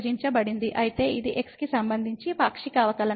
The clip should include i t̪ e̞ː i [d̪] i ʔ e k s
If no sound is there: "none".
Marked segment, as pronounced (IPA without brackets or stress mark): d̪